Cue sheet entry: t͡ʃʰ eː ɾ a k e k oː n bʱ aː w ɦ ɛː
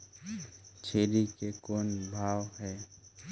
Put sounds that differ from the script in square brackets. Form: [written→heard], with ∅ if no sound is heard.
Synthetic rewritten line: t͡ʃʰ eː ɾ [a→i] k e k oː n bʱ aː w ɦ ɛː